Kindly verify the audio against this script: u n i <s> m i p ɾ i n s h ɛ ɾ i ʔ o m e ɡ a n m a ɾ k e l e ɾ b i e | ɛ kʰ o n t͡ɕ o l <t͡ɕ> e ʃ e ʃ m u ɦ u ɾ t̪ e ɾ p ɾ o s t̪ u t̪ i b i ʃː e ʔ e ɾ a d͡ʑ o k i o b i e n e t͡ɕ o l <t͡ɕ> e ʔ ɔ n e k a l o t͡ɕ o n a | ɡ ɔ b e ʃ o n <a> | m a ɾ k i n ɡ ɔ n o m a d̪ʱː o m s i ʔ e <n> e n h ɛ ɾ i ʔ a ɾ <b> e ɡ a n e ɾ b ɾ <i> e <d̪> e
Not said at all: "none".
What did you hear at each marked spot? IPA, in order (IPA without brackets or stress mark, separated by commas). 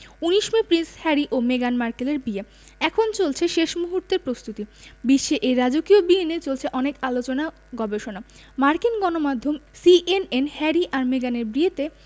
ʃ, t͡ɕʰ, t͡ɕʰ, a, n, m, i, t̪